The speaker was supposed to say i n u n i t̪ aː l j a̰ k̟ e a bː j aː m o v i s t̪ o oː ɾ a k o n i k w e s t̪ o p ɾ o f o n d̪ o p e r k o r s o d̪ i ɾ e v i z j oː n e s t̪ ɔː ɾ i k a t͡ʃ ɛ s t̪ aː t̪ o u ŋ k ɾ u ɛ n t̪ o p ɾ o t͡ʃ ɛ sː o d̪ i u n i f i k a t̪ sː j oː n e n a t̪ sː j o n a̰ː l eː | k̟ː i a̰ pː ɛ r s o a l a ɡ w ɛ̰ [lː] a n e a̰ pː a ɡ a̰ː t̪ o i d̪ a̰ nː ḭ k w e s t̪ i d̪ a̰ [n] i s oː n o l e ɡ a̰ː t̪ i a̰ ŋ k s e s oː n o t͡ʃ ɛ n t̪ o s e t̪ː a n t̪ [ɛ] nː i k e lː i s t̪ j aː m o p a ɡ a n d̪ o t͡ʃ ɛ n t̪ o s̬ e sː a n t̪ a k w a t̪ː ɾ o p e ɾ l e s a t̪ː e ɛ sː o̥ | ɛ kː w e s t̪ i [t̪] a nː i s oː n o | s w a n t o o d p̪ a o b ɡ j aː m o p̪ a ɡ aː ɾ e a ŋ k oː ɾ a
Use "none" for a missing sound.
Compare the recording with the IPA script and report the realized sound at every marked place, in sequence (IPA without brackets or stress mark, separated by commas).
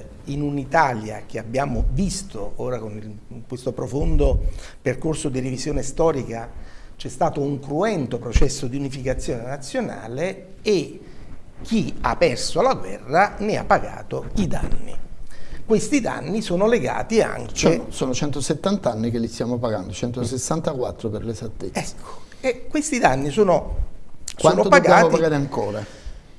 rː, nː, a, d̪